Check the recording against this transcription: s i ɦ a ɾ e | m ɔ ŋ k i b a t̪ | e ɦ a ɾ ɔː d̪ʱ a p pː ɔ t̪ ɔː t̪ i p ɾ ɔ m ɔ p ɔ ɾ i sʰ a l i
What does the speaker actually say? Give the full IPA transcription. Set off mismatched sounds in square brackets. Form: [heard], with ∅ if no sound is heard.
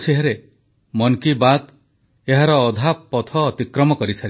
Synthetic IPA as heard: s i ɦ a ɾ e | m ɔ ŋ k i b a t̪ | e ɦ a ɾ ɔː d̪ʱ a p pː ɔ [t̪ʰ] ɔː t̪ i [k] ɾ ɔ m ɔ [k] ɔ ɾ i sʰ a [ɾ] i